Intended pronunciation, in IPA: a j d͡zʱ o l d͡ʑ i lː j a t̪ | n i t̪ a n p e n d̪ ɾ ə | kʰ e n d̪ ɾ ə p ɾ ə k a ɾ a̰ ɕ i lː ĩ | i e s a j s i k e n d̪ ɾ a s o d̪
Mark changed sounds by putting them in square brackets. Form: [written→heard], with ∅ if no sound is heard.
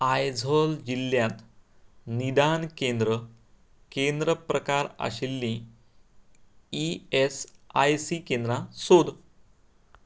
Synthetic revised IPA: a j d͡zʱ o l d͡ʑ i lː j a t̪ | n i [t̪→d̪] a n [p→k] e n d̪ ɾ ə | [kʰ→k] e n d̪ ɾ ə p ɾ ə k a ɾ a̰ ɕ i lː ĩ | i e s a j s i k e n d̪ ɾ a s o d̪